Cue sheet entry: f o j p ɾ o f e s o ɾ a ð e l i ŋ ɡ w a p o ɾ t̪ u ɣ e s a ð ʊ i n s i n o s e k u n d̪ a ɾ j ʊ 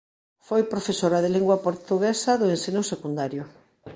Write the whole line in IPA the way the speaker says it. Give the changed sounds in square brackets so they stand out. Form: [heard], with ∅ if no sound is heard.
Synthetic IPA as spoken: f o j p ɾ o f e s o ɾ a ð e l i ŋ ɡ w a p o ɾ t̪ u ɣ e s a ð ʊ [e] n s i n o s e k u n d̪ a ɾ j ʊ